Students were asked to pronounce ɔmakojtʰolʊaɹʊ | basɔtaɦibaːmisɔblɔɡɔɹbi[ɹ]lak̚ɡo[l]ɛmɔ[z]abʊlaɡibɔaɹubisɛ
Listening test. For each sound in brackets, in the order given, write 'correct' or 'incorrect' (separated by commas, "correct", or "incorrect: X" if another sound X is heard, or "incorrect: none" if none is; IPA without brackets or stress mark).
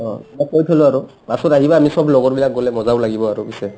incorrect: none, correct, correct